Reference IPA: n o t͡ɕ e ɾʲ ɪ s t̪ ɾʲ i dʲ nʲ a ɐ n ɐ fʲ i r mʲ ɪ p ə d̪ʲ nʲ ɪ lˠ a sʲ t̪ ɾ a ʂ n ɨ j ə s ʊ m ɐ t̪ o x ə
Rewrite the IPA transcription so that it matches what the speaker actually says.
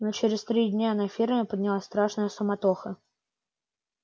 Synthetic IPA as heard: n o t͡ɕ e ɾʲ ɪ s t̪ ɾʲ i dʲ nʲ a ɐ n a fʲ i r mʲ ɪ p ə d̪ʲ nʲ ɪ lˠ a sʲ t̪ ɾ a ʂ n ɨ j ə s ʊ m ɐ t̪ o x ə